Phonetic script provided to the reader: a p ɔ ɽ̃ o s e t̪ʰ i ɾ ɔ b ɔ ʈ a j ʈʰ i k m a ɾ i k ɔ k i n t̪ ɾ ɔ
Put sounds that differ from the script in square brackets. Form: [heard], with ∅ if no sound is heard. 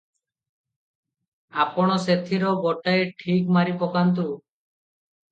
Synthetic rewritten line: a p ɔ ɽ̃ [ɔ] s e t̪ʰ i ɾ ɔ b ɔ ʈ a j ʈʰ i k m a ɾ i [p] ɔ k [a] n t̪ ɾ [u]